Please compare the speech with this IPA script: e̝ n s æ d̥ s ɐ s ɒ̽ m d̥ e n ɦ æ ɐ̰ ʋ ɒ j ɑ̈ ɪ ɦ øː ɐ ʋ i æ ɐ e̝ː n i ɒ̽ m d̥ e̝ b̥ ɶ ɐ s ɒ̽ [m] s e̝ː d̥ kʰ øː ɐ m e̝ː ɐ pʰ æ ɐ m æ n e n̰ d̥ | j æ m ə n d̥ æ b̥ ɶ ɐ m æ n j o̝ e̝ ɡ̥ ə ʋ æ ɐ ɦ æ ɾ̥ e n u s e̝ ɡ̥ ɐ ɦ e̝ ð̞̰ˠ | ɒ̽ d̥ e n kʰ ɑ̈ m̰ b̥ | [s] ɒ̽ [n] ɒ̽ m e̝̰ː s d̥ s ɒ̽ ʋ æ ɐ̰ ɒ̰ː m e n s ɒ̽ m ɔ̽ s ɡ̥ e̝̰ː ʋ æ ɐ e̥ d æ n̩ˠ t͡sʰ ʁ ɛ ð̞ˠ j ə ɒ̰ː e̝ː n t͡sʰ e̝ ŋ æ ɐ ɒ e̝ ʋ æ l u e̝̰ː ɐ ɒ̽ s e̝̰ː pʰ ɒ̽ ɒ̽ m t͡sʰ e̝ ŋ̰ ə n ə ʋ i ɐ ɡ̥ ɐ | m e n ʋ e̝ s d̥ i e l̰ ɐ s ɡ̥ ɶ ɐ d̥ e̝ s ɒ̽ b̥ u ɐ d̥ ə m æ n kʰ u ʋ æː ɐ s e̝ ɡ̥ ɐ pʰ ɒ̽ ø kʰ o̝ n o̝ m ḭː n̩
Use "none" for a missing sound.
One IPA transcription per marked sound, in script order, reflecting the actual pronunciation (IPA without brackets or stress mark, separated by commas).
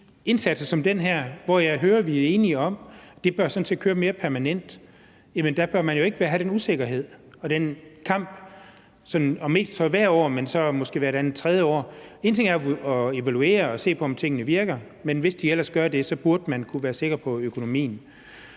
n, s, n